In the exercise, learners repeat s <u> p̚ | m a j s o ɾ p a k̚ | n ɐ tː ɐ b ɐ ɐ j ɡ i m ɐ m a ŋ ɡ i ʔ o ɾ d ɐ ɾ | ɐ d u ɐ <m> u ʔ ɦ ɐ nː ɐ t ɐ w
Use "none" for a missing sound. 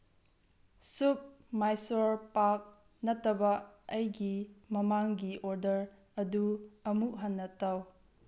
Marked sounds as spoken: u, m

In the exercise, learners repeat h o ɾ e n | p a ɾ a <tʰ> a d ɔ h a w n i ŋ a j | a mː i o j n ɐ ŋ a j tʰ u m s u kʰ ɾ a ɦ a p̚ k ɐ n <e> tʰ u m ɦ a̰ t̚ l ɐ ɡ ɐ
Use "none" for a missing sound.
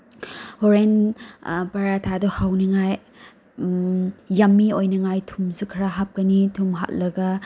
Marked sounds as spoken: tʰ, i

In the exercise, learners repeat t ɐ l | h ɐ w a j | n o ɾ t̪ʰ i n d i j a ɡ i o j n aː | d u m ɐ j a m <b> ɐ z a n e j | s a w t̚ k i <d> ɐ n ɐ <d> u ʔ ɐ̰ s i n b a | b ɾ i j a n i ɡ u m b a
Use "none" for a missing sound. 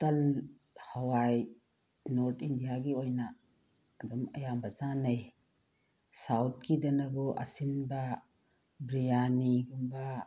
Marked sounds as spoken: b, d, b

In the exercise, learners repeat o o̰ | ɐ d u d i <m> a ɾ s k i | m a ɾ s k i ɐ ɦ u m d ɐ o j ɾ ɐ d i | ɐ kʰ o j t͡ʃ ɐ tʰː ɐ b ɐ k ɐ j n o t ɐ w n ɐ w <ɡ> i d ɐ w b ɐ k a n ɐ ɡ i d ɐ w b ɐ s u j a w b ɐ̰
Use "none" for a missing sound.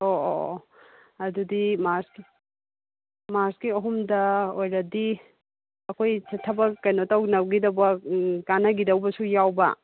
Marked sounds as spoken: m, ɡ

